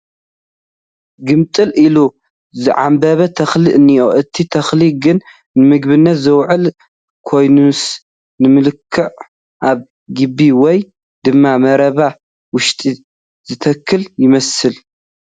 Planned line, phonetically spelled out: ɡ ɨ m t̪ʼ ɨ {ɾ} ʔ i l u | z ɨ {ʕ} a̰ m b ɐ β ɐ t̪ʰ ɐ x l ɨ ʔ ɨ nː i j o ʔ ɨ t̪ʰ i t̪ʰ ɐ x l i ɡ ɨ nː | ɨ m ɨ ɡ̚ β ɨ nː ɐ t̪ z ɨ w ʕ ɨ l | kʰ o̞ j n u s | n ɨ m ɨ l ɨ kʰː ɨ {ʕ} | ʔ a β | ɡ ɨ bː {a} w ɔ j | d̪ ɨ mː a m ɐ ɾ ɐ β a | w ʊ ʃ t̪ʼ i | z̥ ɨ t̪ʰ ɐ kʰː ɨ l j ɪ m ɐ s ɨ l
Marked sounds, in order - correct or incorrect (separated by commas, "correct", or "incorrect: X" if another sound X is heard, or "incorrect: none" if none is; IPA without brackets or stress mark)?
incorrect: l, correct, correct, incorrect: i